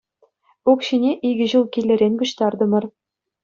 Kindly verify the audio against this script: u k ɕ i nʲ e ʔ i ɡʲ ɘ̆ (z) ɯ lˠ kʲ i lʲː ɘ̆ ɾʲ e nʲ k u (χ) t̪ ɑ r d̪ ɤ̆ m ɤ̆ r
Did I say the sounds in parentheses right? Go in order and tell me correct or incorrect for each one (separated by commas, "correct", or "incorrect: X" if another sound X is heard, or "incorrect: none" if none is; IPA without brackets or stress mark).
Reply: incorrect: ʑ, incorrect: ɕ